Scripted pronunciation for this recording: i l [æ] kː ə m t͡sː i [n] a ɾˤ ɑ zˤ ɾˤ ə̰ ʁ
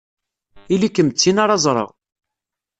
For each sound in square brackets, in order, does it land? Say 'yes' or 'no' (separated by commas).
no, yes